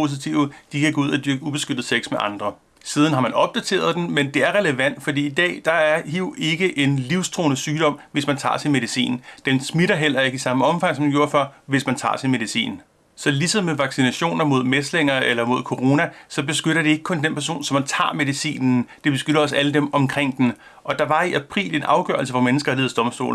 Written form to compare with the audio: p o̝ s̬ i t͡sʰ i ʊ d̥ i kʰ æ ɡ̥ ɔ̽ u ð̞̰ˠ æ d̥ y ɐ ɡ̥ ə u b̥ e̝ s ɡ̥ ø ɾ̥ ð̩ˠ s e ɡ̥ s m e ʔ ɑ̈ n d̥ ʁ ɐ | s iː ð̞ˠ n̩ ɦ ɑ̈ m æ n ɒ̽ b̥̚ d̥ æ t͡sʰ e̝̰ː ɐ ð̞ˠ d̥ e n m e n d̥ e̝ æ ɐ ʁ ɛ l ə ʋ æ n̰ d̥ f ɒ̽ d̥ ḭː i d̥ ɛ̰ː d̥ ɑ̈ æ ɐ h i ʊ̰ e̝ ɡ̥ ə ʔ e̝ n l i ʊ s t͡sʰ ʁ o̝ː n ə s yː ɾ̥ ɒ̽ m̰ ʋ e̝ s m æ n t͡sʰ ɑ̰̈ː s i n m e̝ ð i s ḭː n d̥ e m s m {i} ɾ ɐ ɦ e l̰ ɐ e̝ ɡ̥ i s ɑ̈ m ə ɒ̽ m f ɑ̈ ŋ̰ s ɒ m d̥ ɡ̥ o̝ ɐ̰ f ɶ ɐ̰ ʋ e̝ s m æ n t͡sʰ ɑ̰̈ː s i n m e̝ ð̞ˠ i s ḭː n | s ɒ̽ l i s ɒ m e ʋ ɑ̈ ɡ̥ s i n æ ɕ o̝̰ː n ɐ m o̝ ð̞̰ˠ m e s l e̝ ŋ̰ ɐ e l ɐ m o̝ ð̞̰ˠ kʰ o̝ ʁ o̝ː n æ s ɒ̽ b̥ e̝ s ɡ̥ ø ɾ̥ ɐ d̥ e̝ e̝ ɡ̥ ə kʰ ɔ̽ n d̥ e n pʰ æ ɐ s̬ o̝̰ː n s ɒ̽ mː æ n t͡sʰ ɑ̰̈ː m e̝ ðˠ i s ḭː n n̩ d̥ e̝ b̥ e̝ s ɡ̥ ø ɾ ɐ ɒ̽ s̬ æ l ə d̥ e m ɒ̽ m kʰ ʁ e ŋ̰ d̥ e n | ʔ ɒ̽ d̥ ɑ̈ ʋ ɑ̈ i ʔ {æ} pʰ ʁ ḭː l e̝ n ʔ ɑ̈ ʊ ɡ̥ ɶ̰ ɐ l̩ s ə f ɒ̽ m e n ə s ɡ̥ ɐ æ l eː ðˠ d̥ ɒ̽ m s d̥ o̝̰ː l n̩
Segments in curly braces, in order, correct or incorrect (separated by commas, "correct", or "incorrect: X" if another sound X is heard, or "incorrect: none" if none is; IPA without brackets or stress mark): correct, correct